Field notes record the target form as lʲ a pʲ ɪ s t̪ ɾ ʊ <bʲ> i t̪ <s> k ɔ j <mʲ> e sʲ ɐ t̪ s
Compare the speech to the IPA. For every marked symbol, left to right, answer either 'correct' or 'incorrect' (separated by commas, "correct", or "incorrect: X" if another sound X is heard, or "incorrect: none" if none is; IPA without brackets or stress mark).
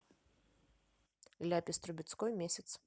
correct, correct, correct